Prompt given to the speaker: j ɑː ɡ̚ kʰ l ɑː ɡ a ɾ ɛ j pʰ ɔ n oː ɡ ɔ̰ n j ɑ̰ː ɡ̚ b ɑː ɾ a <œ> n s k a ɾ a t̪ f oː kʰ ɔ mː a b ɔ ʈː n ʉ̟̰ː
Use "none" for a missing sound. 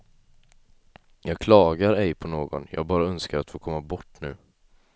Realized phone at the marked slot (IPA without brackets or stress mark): œ